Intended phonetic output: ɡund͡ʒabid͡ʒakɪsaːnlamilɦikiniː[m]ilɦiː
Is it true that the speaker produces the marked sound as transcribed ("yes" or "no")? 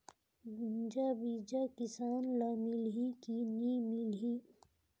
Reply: yes